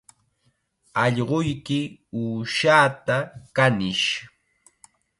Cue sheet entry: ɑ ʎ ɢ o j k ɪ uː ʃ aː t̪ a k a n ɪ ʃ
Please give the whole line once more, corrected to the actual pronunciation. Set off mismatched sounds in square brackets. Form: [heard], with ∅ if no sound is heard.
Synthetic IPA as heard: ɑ ʎ ɢ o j k ɪ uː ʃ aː t̪ a k a n ɪ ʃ